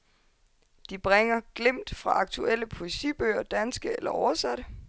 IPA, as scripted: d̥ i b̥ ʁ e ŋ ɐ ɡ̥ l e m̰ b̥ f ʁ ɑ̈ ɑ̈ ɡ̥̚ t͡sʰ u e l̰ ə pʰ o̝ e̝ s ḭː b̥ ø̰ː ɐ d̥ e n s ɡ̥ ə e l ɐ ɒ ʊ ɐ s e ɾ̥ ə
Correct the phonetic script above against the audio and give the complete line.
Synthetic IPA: d̥ i b̥ ʁ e ŋ ɐ ɡ̥ l e m̰ d̥ f ʁ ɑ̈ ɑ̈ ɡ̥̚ t͡sʰ u e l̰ ə pʰ o̝ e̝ s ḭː b̥ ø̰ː ɐ d̥ æ n s ɡ̥ ə e l ɐ ɒ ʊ ɐ s æ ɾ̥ ə